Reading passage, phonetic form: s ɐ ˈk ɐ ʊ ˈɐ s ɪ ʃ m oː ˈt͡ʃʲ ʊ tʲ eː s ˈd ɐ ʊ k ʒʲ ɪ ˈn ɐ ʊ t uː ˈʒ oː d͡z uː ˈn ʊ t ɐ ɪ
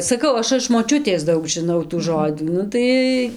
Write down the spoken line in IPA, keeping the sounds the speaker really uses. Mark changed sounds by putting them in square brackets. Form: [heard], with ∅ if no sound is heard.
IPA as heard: s ɐ ˈk ɐ ʊ ˈɐ [ʃ] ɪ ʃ m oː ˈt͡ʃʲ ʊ tʲ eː s ˈd ɐ ʊ k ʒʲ ɪ ˈn ɐ ʊ t uː ˈʒ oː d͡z uː ˈn ʊ t ɐ ɪ